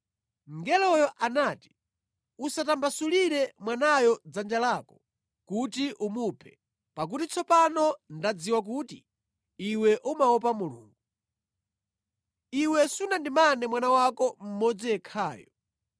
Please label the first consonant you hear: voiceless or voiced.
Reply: voiced